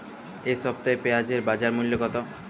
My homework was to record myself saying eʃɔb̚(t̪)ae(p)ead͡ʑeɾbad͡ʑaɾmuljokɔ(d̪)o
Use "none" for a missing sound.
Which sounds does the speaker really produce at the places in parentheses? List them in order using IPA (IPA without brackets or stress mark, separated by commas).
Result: t̪, p, t̪